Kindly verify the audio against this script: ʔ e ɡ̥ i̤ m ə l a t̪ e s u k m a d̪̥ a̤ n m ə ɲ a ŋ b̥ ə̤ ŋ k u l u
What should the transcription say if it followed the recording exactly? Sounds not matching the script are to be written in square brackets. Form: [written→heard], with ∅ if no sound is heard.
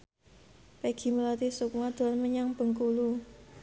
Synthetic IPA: [ʔ→p] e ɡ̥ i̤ m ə l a t̪ [e→i] s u k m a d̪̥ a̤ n m ə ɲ a ŋ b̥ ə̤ ŋ k u l u